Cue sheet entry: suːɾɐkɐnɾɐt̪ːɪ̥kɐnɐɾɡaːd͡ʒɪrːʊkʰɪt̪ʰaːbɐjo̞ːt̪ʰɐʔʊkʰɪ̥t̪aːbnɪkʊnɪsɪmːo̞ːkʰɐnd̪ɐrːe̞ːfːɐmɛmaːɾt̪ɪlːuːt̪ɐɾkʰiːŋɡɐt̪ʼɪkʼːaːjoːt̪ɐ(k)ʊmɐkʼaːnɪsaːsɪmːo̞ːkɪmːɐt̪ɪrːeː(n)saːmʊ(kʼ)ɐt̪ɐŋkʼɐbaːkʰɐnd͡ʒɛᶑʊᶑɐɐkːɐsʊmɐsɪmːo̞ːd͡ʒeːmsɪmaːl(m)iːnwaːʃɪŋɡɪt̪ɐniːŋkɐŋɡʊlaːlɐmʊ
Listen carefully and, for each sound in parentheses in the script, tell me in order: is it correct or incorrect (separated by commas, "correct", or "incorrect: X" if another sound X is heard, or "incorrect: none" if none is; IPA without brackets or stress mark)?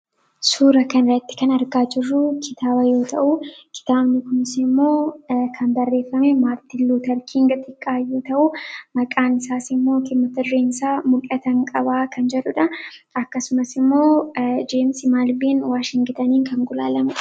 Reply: incorrect: ʔ, correct, correct, incorrect: b